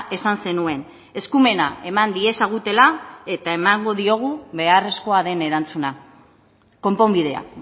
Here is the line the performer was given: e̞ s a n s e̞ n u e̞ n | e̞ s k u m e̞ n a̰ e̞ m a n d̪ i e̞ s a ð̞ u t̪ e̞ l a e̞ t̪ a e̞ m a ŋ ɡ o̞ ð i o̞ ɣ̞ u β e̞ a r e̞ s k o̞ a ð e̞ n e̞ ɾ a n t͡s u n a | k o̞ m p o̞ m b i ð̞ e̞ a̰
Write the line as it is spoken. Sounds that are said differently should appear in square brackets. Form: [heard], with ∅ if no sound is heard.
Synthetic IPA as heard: e̞ s a n s e̞ n u e̞ n | e̞ s k u m e̞ n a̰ e̞ m a n d̪ i e̞ s a [ɣ̞] u t̪ e̞ l a e̞ t̪ a e̞ m a ŋ ɡ o̞ ð i o̞ ɣ̞ u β e̞ a r e̞ s k o̞ a ð e̞ n e̞ ɾ a n t͡s u n a | k o̞ m p o̞ m b i ð̞ e̞ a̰